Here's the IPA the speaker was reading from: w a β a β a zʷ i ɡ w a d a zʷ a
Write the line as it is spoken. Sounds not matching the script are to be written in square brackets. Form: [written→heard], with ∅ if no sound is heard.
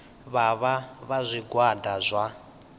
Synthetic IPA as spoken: [w→β] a β a β a zʷ i ɡ w a d a zʷ a